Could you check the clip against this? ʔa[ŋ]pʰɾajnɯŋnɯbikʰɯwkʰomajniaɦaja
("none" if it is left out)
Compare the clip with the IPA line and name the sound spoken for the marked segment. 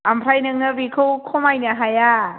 m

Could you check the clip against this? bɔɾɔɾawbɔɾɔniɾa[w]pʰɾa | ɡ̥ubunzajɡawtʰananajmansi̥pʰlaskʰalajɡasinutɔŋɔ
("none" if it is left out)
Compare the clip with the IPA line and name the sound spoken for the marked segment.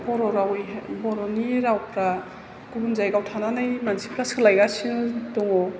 w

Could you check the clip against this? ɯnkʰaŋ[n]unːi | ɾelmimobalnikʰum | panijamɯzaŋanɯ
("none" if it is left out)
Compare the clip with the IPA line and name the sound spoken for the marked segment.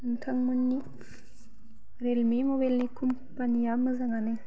m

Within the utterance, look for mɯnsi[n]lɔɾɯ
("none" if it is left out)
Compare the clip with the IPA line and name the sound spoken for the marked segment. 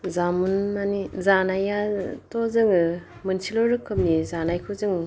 none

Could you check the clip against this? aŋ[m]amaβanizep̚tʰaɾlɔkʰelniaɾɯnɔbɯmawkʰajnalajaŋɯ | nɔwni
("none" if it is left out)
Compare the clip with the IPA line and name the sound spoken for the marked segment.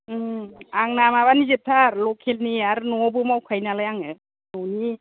n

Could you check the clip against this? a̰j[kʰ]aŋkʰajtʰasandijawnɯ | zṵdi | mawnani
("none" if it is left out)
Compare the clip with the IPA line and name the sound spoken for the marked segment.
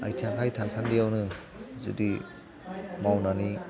tʰ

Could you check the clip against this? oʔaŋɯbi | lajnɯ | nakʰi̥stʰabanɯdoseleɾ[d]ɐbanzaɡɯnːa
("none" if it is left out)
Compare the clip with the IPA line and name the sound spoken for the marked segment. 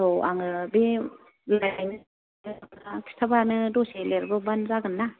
b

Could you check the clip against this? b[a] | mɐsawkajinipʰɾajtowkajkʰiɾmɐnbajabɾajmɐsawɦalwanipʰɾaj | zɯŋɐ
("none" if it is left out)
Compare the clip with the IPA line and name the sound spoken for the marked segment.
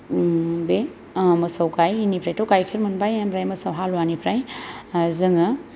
e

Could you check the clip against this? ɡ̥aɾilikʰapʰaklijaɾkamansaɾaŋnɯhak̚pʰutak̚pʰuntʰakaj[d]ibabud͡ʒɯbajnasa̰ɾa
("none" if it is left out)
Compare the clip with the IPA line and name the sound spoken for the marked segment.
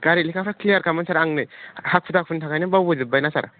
n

